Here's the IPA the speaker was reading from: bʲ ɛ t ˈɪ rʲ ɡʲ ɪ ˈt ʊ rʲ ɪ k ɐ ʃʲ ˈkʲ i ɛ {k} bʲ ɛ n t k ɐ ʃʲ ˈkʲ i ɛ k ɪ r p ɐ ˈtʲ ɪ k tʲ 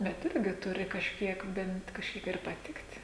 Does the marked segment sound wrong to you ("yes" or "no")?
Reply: no